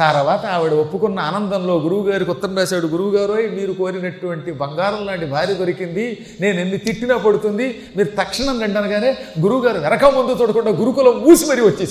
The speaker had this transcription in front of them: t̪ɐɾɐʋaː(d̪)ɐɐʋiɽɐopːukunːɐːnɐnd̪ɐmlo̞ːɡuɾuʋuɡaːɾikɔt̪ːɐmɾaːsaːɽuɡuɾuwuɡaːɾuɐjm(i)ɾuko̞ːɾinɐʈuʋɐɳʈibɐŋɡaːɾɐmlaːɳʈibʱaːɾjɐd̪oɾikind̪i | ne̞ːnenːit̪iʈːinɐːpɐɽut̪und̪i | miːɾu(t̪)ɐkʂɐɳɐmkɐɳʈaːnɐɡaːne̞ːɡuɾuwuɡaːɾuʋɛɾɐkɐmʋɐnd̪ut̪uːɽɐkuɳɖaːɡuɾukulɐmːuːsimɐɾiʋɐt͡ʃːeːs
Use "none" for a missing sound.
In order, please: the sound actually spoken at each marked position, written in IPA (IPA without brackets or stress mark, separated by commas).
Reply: t̪, iː, t̪